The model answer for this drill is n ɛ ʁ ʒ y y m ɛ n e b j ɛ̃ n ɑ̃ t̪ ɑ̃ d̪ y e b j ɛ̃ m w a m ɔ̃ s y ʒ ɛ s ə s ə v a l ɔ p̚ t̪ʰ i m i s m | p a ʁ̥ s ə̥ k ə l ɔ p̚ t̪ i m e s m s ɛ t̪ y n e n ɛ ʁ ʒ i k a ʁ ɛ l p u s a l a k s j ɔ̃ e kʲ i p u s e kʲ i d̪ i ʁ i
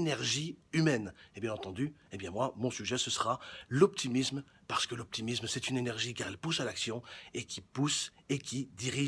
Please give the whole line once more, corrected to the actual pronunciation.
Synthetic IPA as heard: n ɛ ʁ ʒ i y m ɛ n e b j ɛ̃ n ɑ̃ t̪ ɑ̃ d̪ y e b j ɛ̃ m w a m ɔ̃ s y ʒ ɛ s ə s ə ʁ a l ɔ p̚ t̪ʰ i m i s m | p a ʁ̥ s ə̥ k ə l ɔ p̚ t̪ i m i s m s ɛ t̪ y n e n ɛ ʁ ʒ i k a ʁ ɛ l p u s a l a k s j ɔ̃ e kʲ i p u s e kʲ i d̪ i ʁ i